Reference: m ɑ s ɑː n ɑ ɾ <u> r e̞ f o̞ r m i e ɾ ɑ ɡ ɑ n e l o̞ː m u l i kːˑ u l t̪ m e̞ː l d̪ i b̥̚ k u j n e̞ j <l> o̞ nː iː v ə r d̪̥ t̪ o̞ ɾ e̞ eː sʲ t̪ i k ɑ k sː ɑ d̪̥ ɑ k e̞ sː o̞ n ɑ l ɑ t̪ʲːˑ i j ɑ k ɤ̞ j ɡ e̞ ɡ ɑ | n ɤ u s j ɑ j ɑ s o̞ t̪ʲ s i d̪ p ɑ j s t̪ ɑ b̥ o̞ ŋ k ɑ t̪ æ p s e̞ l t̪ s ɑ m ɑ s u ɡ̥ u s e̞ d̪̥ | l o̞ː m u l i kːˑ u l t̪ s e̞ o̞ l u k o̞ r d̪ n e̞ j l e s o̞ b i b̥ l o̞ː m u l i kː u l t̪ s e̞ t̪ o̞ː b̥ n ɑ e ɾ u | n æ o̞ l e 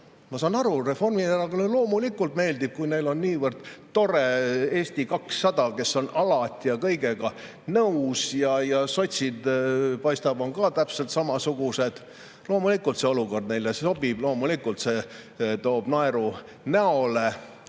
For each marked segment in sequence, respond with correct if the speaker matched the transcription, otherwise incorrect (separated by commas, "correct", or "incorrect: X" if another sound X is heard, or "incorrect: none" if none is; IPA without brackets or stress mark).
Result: correct, correct